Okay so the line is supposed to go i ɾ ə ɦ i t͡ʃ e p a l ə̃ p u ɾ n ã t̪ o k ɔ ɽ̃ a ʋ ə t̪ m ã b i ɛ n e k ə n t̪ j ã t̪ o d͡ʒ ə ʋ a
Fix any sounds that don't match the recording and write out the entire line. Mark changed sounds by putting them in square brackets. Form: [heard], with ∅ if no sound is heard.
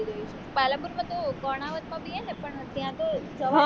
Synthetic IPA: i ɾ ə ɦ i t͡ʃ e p a l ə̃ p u ɾ [m] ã t̪ o k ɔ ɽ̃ a ʋ ə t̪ m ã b i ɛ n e [p] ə [ɳ] t̪ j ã t̪ o d͡ʒ ə ʋ a